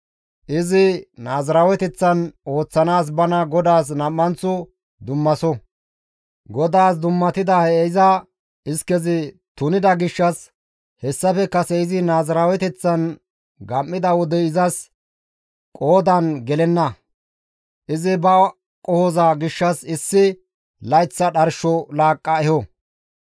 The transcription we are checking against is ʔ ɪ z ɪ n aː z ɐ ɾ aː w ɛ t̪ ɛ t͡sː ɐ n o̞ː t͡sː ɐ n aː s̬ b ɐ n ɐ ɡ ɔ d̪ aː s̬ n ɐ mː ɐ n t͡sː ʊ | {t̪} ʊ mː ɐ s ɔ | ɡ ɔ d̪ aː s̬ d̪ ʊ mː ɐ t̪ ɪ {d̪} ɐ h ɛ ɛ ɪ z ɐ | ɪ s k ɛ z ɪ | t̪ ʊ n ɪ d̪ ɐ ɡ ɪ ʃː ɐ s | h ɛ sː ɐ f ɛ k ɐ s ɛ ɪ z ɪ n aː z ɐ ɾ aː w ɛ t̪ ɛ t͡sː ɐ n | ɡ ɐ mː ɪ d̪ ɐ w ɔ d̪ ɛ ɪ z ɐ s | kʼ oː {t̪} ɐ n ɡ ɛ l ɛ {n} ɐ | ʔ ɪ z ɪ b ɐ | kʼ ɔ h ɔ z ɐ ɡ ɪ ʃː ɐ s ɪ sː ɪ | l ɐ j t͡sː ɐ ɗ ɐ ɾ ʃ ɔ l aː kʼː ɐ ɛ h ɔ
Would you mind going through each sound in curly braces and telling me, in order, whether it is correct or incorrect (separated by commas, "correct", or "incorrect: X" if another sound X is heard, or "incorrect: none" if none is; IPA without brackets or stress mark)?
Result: incorrect: d̪, correct, incorrect: d̪, incorrect: nː